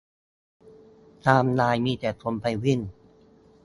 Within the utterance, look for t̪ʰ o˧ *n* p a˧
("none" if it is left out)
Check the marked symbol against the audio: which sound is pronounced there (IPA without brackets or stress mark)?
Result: m